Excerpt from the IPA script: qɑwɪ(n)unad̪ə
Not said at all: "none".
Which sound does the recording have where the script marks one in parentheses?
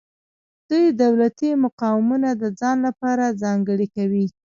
m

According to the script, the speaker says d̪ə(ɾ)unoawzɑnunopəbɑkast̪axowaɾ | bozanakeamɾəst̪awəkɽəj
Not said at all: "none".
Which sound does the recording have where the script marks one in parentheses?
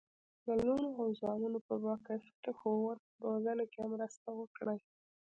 l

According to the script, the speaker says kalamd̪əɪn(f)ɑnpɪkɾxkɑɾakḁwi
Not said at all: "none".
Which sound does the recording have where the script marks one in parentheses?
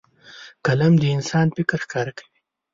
s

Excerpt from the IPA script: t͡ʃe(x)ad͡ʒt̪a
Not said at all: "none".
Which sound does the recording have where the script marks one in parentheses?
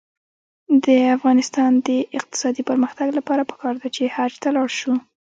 h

